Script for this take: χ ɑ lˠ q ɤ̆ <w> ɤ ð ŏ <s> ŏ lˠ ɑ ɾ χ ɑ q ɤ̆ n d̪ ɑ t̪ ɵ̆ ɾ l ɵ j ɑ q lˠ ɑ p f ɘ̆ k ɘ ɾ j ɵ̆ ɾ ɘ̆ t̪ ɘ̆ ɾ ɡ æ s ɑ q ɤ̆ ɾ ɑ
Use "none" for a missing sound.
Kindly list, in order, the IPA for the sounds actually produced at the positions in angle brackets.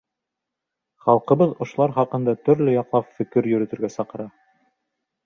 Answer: β, ʃ

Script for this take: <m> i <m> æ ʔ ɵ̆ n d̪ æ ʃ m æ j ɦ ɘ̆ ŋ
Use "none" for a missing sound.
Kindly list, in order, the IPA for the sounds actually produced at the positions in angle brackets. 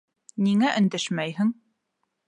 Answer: n, ŋ

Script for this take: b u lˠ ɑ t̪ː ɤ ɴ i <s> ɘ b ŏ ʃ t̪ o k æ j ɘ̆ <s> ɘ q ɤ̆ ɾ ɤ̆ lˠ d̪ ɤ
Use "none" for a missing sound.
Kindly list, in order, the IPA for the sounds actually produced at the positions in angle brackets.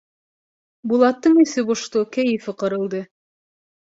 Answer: s, f

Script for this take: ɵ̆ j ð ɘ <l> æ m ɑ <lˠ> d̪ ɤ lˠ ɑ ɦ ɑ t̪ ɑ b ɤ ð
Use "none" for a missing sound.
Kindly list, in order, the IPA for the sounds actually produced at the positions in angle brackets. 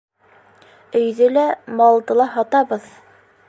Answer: l, lˠ

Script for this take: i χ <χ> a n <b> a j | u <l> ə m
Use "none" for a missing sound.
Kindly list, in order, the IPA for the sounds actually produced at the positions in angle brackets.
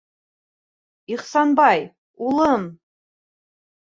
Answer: s, b, l

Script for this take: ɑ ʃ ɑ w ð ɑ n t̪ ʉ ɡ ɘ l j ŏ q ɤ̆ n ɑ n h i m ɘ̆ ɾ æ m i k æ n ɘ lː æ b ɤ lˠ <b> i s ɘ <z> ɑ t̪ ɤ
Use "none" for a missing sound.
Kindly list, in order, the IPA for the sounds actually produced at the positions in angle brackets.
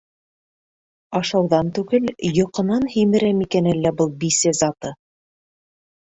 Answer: b, z

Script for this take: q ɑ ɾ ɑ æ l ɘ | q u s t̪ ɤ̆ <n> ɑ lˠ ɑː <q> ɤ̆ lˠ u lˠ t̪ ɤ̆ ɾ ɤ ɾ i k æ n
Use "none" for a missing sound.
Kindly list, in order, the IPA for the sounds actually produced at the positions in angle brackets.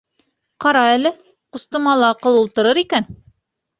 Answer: m, q

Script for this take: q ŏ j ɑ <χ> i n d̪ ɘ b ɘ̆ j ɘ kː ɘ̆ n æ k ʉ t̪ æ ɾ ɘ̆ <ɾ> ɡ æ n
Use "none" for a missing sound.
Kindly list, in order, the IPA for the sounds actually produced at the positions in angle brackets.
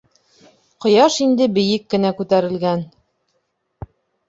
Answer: ʃ, l

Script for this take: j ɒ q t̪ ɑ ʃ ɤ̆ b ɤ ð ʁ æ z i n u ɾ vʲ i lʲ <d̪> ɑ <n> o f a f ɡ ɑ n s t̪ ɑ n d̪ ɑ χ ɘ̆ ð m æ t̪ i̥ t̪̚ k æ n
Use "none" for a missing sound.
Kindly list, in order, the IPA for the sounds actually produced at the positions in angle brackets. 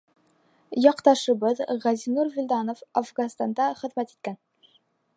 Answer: d̪, n

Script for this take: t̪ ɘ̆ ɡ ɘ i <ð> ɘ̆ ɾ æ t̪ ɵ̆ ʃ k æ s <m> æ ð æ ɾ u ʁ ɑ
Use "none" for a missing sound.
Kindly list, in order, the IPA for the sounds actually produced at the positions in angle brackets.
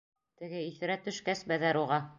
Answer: θ, b

